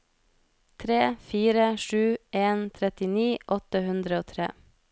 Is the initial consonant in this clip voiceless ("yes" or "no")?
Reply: yes